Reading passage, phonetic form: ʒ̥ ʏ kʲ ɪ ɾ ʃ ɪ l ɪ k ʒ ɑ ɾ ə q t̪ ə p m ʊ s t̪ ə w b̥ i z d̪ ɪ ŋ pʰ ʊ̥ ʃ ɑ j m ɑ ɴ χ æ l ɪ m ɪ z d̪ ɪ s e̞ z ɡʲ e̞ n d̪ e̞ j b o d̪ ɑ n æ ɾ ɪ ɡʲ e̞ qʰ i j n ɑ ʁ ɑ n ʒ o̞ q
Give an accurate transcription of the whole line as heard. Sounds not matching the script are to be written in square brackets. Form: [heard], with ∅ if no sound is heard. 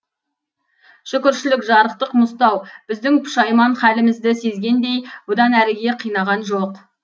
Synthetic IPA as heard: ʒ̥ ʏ kʲ ɪ ɾ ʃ ɪ l ɪ k ʒ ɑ ɾ ə q t̪ ə [q] m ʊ s t̪ [ɑ] w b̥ [ɪ] z d̪ ɪ ŋ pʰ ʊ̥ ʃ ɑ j m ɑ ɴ χ æ l ɪ m ɪ z d̪ ɪ s e̞ z ɡʲ e̞ n d̪ e̞ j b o d̪ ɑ n æ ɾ ɪ ɡʲ e̞ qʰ i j n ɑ ʁ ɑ n ʒ o̞ q

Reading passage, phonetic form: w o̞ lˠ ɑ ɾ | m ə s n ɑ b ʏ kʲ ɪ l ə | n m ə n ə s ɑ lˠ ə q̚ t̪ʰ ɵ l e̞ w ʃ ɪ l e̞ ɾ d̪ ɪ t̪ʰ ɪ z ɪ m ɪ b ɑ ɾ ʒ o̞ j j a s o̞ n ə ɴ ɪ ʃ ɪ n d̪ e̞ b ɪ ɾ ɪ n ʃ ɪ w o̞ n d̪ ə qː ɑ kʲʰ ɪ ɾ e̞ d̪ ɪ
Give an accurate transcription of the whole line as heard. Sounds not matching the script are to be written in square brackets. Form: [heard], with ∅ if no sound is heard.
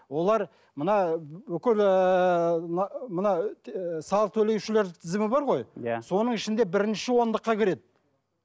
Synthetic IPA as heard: w o̞ lˠ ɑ ɾ | m ə [∅] n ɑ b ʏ kʲ ɪ l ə | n m ə n [ɑ] s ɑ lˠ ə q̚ t̪ʰ ɵ l e̞ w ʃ ɪ l e̞ ɾ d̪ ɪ t̪ʰ ɪ z ɪ m ɪ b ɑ ɾ [ʁ] o̞ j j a s o̞ n ə ɴ ɪ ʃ ɪ n d̪ e̞ b ɪ ɾ ɪ n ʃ ɪ w o̞ n d̪ ə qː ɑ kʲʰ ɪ ɾ e̞ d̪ ɪ

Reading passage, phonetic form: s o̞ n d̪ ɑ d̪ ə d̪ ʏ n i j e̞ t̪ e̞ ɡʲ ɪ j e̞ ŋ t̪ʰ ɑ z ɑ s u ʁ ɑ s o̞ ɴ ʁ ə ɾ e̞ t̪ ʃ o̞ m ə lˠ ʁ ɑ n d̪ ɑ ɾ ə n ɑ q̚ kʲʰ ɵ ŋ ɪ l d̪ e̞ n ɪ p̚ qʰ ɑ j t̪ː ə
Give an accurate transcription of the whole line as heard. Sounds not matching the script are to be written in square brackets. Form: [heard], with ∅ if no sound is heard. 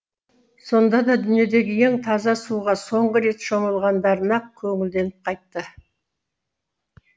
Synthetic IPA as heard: s o̞ n d̪ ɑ d̪ [ɑ] d̪ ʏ n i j e̞ [d̪] e̞ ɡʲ ɪ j e̞ ŋ t̪ʰ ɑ z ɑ s u ʁ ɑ s o̞ ɴ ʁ ə ɾ e̞ t̪ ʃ o̞ m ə lˠ ʁ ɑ n d̪ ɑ ɾ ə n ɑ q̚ kʲʰ ɵ ŋ ɪ l d̪ e̞ n ɪ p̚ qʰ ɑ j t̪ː ə

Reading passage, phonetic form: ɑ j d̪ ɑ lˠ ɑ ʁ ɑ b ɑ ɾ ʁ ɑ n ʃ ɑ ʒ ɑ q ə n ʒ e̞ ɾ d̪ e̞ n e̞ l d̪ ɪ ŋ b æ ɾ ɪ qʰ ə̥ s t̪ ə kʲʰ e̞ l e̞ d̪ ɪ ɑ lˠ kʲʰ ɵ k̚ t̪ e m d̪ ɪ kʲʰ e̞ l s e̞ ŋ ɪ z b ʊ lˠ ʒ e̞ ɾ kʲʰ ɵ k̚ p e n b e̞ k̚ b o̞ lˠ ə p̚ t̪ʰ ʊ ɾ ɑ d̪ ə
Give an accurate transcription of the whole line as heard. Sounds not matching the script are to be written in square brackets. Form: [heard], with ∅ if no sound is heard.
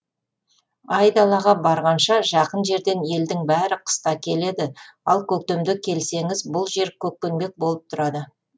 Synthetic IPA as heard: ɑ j d̪ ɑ lˠ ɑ ʁ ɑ b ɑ ɾ ʁ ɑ n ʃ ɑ ʒ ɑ q ə n ʒ e̞ ɾ d̪ e̞ n e̞ l d̪ ɪ ŋ b æ ɾ ɪ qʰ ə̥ s t̪ [ɑ] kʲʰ e̞ l e̞ d̪ ɪ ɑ lˠ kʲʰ ɵ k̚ t̪ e m d̪ ɪ kʲʰ e̞ l s e̞ ŋ ɪ z b ʊ lˠ ʒ e̞ ɾ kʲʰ ɵ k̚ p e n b e̞ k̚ b o̞ lˠ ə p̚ t̪ʰ ʊ ɾ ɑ d̪ ə

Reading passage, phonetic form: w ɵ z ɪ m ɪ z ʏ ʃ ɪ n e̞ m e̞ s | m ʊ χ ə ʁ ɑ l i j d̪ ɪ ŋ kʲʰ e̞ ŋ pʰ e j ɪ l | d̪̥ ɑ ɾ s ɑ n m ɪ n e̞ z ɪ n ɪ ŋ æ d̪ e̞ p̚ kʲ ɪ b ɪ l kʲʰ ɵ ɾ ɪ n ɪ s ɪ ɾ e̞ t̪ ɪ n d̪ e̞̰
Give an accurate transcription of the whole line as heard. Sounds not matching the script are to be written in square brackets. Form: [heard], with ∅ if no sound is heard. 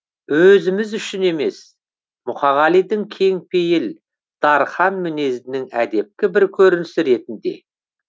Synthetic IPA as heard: w ɵ z ɪ m ɪ z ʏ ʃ ɪ n e̞ m e̞ s | m ʊ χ [ɑ] ʁ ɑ l i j d̪ ɪ ŋ kʲʰ e̞ ŋ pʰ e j ɪ l | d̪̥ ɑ ɾ [χ] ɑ n m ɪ n e̞ z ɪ n ɪ ŋ æ d̪ e̞ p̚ kʲ ɪ b ɪ [ɾ] kʲʰ ɵ ɾ ɪ n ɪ s ɪ ɾ e̞ t̪ ɪ n d̪ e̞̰

